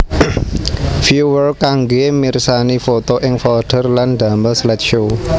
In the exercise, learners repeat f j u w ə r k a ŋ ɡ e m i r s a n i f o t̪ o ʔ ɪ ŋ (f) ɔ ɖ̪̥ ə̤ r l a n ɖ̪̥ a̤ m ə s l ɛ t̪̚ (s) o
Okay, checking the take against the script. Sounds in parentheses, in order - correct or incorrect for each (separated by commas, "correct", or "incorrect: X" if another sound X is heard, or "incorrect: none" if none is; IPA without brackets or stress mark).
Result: correct, incorrect: ʃ